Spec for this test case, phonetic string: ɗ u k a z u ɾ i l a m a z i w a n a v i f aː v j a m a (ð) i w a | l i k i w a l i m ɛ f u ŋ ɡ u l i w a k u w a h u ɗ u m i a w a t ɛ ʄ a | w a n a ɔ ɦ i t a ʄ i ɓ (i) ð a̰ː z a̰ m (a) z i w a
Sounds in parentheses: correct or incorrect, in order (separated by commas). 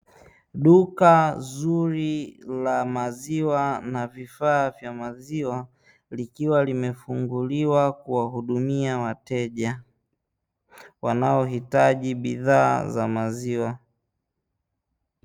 incorrect, correct, correct